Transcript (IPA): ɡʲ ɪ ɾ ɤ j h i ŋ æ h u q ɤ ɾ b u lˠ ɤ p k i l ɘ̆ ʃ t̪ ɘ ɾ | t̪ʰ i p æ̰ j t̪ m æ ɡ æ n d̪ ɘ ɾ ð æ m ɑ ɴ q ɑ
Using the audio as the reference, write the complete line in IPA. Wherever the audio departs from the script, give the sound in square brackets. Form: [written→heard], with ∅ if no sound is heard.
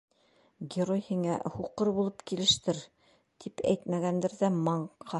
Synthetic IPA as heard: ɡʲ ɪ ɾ [ɤ→o] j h i ŋ æ h u q ɤ ɾ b u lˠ ɤ p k i l ɘ̆ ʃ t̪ ɘ ɾ | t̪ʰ i p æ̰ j t̪ m æ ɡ æ n d̪ ɘ ɾ ð æ m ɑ ɴ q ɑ